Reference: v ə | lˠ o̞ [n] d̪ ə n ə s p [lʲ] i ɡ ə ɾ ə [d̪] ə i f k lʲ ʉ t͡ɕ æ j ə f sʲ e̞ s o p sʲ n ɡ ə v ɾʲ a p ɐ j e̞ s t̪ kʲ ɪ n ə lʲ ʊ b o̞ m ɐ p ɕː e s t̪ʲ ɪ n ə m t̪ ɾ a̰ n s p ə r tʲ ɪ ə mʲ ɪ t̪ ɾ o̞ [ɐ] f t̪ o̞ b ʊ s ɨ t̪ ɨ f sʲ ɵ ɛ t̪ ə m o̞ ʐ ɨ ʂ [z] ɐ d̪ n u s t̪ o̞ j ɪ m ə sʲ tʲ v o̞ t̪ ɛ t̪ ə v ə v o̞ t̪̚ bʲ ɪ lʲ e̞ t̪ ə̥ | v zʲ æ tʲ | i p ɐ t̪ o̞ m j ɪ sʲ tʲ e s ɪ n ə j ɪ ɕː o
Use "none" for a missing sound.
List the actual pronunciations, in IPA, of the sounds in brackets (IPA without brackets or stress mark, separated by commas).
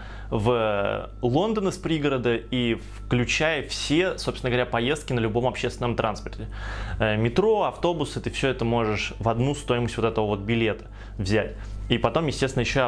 n, ɾʲ, d̪, ɐ, v